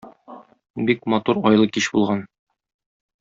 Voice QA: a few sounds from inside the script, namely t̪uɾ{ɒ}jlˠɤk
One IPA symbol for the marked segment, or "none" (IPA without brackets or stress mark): ɒ